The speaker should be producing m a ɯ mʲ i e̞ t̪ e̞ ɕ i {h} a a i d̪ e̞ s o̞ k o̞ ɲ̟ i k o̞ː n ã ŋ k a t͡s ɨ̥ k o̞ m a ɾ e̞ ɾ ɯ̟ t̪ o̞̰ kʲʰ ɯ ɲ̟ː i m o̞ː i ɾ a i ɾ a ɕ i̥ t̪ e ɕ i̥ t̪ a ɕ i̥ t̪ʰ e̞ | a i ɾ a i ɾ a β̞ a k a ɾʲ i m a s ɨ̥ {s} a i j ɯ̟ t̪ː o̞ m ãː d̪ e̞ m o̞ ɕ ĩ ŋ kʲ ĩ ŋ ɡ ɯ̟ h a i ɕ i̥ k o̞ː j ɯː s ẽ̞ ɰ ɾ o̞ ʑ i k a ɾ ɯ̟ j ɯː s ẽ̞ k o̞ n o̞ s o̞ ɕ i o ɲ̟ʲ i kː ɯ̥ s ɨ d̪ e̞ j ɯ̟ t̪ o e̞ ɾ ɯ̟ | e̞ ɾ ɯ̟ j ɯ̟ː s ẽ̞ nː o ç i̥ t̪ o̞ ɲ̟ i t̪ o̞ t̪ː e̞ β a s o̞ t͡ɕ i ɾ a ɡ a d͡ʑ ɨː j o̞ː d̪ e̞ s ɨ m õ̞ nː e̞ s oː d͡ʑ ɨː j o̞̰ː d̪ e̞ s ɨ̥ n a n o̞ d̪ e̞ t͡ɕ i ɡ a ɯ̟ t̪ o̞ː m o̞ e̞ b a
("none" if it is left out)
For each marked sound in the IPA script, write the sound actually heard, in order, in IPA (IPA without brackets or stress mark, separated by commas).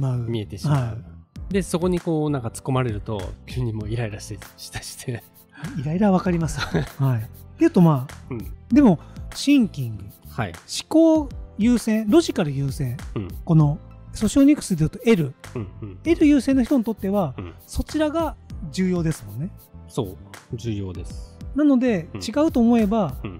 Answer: h, h